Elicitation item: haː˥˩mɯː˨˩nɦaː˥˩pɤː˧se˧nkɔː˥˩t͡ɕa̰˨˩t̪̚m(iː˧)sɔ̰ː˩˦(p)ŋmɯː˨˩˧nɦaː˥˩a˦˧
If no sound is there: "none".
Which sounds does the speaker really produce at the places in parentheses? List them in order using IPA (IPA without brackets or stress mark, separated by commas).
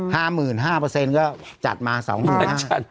aː˧, none